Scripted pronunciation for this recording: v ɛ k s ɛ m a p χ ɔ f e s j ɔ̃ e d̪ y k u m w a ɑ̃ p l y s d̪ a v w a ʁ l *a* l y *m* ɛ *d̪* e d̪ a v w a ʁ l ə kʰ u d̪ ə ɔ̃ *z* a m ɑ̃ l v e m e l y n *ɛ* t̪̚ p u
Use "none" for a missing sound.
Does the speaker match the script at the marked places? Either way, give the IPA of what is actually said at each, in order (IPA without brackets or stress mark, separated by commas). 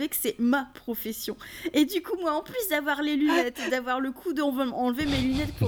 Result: e, n, t̪, v, ɛ